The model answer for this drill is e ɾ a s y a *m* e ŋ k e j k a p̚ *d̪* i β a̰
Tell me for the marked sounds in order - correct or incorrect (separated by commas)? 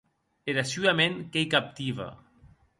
correct, incorrect